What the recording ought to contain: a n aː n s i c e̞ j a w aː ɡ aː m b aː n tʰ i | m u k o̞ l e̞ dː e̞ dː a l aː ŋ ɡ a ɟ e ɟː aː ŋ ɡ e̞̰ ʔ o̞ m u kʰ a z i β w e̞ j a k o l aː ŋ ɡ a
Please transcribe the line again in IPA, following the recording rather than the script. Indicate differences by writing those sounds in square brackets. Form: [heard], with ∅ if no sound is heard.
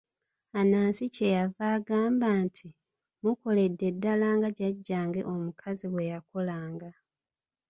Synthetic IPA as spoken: a n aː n s i c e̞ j a [v] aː ɡ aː m b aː n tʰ i | m u k o̞ l e̞ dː e̞ dː a l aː ŋ ɡ a ɟ [a] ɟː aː ŋ ɡ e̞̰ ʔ o̞ m u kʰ a z i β w e̞ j a k o l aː ŋ ɡ a